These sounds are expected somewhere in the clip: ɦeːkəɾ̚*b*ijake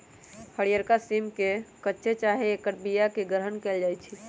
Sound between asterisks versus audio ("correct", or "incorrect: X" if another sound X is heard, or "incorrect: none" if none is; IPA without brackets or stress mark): correct